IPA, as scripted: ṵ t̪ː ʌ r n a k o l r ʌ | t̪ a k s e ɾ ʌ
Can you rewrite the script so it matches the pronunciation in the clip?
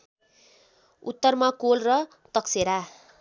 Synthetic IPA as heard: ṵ t̪ː ʌ r m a k o l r ʌ | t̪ ʌ k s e ɾ a